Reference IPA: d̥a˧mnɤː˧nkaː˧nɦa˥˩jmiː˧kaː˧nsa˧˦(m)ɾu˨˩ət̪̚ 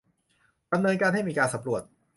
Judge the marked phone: correct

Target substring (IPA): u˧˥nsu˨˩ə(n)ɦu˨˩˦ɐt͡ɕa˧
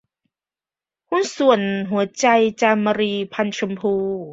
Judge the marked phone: correct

